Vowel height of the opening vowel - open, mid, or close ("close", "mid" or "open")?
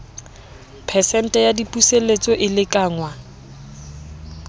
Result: mid